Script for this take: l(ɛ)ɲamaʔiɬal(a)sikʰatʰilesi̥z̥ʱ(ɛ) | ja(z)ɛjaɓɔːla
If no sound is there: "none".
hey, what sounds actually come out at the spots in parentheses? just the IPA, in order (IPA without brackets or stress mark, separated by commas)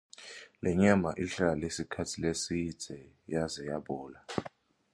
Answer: ɛ, e, ɛ, z